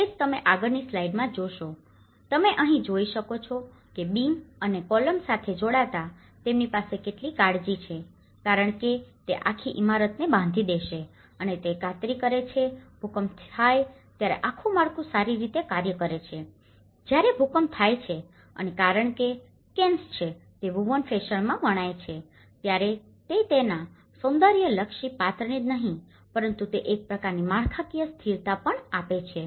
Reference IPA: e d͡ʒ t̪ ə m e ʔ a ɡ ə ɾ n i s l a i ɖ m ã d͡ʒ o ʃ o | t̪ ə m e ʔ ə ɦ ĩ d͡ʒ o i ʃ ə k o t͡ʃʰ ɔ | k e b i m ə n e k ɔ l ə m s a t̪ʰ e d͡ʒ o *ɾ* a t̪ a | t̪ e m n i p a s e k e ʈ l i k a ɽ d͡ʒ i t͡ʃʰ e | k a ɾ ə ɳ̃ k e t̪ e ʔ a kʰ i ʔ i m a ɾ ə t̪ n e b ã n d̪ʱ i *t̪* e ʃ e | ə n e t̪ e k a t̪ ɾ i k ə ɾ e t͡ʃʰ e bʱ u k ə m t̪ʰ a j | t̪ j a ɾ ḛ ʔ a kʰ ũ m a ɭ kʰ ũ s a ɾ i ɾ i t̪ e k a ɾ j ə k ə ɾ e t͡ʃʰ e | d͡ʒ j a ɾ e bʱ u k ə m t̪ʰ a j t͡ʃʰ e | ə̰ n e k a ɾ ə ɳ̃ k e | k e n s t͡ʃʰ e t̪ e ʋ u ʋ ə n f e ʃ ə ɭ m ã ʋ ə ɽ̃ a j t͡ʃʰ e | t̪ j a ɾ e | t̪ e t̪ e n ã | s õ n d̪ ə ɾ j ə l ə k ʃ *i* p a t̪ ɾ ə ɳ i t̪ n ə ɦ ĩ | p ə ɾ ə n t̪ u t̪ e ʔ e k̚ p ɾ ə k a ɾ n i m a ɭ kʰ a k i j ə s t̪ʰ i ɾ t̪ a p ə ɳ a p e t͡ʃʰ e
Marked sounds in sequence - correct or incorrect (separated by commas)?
incorrect, incorrect, correct